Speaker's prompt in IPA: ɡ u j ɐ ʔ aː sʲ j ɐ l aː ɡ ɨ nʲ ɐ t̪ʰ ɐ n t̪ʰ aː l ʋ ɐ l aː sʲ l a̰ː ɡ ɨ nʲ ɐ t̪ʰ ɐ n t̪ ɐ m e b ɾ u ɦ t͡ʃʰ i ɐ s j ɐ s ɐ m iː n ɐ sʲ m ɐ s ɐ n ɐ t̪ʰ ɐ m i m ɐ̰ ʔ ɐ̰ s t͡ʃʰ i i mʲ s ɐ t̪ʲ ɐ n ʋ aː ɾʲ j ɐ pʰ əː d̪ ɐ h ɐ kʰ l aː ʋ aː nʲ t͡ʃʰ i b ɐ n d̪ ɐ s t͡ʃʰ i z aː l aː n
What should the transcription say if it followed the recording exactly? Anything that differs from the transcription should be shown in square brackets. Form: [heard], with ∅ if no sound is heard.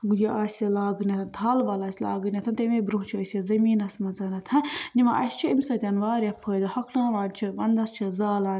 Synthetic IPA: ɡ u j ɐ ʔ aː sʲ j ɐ l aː ɡ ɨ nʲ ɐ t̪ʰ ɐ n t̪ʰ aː l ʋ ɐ l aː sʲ l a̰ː ɡ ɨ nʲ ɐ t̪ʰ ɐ n t̪ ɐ m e b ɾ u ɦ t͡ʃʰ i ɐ s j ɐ [z] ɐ m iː n ɐ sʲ m ɐ [z] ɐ n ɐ t̪ʰ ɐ [n] i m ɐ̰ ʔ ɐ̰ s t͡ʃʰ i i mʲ s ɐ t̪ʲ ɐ n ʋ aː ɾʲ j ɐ pʰ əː d̪ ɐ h ɐ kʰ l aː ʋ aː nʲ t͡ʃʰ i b ɐ n d̪ ɐ s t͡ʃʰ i z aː l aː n